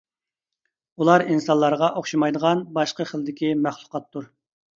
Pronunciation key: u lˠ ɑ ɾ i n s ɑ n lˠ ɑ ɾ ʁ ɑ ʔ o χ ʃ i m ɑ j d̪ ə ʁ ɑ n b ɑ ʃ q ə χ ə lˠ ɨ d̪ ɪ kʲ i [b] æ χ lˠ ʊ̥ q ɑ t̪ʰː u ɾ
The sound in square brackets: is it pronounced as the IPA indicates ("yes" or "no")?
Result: no